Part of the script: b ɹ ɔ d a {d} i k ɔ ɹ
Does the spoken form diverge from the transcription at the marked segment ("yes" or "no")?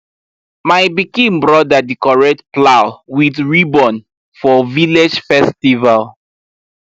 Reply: no